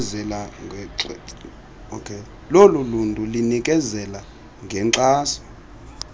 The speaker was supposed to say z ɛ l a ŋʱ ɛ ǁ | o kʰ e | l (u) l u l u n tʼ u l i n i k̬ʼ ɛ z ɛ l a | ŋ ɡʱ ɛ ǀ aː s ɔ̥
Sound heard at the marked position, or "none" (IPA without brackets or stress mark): o